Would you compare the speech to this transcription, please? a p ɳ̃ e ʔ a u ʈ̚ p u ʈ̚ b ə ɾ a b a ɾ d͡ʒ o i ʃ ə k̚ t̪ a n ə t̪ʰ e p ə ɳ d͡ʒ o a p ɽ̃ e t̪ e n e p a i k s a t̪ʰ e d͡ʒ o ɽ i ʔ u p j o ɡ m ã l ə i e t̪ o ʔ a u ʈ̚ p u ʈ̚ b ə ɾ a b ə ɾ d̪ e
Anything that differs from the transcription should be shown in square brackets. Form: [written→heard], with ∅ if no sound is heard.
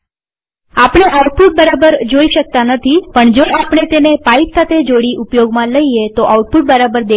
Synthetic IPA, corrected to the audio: a p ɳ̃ e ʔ a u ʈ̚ p u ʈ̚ b ə ɾ a b [a→ə] ɾ d͡ʒ o i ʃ ə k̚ t̪ a n ə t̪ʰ [e→i] p ə ɳ d͡ʒ o a p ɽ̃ e t̪ e n e p a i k s a t̪ʰ e d͡ʒ o ɽ i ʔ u p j o ɡ m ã l ə i e t̪ o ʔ a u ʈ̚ p u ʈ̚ b ə ɾ a b ə ɾ d̪ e